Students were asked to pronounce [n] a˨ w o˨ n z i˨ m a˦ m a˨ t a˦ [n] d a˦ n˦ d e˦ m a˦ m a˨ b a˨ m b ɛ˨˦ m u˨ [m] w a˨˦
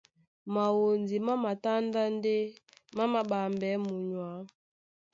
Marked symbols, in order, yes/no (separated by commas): no, yes, no